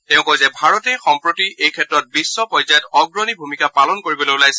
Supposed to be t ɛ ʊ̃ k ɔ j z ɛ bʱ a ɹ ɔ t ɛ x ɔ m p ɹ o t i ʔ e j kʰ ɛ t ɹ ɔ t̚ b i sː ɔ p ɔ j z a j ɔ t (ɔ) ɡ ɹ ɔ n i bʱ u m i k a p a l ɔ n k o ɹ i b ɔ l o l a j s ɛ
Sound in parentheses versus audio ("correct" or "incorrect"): correct